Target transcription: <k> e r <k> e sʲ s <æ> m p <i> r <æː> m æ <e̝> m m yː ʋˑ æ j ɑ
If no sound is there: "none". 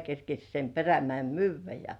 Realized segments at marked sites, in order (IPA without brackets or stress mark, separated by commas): k, k, e, e, æ, e̝